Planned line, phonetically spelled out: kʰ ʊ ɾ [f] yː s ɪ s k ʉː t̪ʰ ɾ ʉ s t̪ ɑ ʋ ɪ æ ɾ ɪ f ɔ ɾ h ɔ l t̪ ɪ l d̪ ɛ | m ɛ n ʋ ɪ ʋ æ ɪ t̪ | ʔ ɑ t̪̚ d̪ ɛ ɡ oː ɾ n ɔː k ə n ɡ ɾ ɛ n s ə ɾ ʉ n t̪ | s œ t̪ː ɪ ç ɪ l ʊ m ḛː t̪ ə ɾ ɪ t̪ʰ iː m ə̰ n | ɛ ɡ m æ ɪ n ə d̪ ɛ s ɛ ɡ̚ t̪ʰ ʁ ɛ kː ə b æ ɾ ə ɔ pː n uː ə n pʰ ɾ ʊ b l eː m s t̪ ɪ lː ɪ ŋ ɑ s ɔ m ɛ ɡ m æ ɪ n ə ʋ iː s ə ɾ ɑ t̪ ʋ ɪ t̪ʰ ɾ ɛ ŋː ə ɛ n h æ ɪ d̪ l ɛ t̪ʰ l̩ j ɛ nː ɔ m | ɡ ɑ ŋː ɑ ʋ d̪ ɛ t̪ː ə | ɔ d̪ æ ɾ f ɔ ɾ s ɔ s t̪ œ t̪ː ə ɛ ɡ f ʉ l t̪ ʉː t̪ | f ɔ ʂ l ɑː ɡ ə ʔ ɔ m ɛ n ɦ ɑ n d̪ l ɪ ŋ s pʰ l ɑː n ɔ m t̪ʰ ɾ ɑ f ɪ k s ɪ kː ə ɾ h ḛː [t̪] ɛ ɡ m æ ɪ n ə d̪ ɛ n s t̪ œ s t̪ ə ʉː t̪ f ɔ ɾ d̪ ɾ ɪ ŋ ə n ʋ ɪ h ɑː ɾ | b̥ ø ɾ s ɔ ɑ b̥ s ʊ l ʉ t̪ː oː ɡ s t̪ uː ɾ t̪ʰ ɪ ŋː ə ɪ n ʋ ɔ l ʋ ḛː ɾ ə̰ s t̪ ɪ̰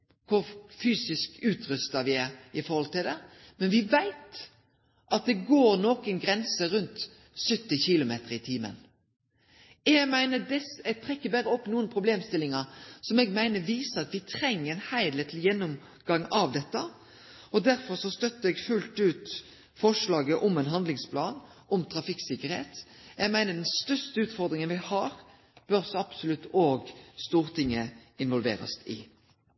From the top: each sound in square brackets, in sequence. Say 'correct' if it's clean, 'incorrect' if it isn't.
correct, correct

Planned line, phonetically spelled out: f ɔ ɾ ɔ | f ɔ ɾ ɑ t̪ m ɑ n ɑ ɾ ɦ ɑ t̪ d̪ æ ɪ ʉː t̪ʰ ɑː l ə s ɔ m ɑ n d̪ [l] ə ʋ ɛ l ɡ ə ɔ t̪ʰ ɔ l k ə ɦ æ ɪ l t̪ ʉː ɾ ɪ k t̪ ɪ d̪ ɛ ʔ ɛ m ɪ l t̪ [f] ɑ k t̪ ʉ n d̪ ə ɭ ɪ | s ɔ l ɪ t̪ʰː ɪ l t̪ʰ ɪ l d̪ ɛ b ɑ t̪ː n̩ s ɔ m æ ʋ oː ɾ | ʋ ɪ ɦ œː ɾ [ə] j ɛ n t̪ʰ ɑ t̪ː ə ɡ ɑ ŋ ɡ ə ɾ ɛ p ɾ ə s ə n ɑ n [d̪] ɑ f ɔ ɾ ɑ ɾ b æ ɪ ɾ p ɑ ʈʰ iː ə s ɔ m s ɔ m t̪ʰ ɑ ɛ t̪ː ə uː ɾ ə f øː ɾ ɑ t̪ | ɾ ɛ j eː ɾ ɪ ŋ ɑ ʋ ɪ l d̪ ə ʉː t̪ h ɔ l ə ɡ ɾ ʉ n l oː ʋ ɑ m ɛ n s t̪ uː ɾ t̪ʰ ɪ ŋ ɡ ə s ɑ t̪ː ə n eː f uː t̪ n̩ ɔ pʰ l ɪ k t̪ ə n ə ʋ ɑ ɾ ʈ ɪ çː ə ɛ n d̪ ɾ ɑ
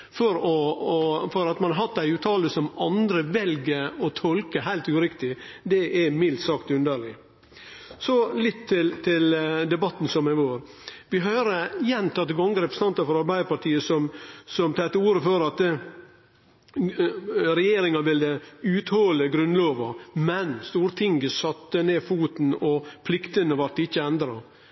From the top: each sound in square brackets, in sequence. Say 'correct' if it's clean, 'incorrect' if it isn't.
incorrect, incorrect, correct, incorrect

